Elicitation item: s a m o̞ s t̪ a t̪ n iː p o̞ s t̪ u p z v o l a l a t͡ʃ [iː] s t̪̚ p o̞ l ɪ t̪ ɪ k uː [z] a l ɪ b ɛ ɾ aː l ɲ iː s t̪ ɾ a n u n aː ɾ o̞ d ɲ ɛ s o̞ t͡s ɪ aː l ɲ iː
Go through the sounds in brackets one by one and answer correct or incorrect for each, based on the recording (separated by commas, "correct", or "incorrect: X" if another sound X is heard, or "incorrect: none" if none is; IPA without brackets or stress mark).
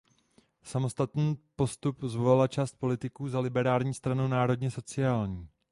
incorrect: aː, correct